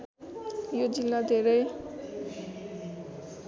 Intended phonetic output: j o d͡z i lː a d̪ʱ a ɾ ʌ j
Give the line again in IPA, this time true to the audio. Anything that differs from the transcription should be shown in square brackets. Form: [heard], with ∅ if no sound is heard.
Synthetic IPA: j o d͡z i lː a d̪ʱ [e] ɾ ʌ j